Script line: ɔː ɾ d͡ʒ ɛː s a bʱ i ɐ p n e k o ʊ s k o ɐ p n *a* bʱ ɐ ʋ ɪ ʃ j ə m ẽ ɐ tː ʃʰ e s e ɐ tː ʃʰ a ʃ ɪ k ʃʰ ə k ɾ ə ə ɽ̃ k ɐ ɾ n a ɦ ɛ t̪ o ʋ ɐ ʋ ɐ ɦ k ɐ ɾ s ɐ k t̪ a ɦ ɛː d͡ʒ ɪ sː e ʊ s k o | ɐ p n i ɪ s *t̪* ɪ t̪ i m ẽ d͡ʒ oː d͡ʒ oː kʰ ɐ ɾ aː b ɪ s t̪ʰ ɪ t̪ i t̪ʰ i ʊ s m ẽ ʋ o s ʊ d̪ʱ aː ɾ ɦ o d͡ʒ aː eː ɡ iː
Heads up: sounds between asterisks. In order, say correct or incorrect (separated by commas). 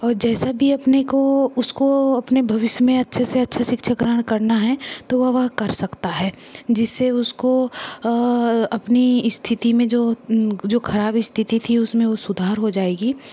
incorrect, incorrect